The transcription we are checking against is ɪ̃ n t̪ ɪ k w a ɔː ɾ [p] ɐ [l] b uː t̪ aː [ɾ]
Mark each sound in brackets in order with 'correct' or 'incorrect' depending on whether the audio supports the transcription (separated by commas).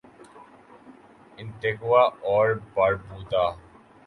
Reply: incorrect, incorrect, incorrect